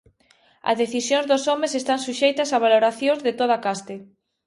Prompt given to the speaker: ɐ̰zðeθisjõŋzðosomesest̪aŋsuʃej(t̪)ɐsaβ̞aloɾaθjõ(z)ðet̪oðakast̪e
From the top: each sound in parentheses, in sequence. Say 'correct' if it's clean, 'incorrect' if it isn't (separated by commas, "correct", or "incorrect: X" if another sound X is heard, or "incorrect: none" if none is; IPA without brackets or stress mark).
correct, correct